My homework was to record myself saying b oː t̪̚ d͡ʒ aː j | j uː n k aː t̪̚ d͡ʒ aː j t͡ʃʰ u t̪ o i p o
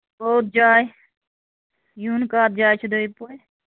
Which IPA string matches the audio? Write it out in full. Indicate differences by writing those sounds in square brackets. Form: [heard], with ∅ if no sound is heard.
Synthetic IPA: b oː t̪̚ d͡ʒ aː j | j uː n k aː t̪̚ d͡ʒ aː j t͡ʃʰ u [d̪] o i p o